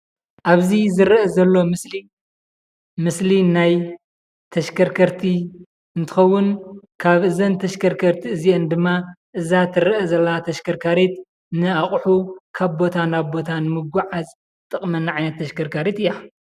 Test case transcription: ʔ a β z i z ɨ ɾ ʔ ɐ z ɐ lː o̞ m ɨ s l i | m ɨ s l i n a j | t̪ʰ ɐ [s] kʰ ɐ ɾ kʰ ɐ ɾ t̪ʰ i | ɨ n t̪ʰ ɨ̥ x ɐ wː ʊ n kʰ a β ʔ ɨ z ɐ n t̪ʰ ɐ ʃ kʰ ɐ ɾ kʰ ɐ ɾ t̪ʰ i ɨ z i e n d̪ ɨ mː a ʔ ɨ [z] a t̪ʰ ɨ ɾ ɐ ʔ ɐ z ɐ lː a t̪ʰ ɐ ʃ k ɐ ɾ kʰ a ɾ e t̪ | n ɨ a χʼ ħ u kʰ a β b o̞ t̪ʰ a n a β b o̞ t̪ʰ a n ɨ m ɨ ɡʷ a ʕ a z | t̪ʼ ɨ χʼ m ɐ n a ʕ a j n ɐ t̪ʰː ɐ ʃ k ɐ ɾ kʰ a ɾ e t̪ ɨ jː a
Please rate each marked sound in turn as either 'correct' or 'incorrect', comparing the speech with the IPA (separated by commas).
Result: incorrect, correct